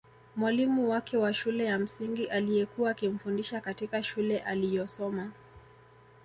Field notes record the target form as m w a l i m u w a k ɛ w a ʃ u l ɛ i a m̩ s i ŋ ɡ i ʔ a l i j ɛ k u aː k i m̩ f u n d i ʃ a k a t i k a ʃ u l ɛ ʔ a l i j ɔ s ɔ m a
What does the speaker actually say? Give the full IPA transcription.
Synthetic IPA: m w a l i m u w a k ɛ w a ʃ u l ɛ j a m̩ s i ŋ ɡ i ʔ a l i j ɛ k u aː k i m̩ f u n d i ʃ a k a t i k a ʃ u l ɛ ʔ a l i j ɔ s ɔ m a

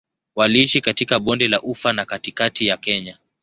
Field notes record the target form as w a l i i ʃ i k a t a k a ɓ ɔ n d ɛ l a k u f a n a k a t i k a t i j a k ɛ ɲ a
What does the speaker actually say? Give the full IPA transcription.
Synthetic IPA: w a l i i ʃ i k a t i k a ɓ ɔ n d ɛ l a ʔ u f a n a k a t i k a t i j a k ɛ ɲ a

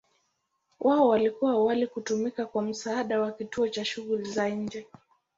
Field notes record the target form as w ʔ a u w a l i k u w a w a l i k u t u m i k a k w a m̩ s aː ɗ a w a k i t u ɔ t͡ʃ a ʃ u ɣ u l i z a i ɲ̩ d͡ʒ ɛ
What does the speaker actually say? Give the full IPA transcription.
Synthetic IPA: w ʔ a ɔ w a l i k u w a w a l i k u t u m i k a k w a m̩ s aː ɗ a w a k i t u ɔ t͡ʃ a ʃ u ɣ u l i z a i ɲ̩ d͡ʒ ɛ

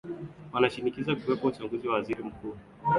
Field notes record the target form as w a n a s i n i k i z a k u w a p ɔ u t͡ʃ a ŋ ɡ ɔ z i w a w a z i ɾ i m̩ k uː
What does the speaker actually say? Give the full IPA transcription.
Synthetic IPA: w a n a ʃ i n i k i z a k u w ɛ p ɔ u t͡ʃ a ŋ ɡ u z i w a w a z i ɾ i m̩ k uː

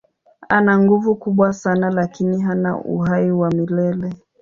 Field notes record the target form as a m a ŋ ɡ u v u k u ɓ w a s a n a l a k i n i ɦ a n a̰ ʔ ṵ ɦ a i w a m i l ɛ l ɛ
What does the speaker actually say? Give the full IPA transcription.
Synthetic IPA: a n a ŋ ɡ u v u k u ɓ w a s a n a l a k i n i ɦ a n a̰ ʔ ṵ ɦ a i w a m i l ɛ l ɛ

